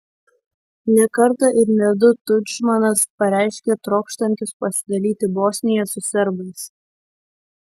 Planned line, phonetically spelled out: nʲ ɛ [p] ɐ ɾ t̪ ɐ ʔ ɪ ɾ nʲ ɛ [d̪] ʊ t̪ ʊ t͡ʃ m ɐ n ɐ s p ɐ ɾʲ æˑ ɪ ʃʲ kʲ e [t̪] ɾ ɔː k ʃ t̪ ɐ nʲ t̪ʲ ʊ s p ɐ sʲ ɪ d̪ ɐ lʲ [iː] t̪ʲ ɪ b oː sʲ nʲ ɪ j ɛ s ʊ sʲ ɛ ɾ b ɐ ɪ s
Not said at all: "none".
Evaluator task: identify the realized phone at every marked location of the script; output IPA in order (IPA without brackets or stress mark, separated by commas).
k, d̪, t̪, iː